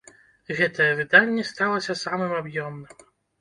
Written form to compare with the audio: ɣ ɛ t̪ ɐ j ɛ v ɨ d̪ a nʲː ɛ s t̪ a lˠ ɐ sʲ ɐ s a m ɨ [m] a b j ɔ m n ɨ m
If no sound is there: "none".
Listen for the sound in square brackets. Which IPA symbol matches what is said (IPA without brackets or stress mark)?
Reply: m